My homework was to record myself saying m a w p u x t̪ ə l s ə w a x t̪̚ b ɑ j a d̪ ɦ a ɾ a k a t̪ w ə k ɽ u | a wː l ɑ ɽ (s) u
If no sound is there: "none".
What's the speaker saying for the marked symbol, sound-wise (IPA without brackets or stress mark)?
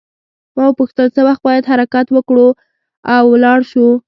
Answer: ʃ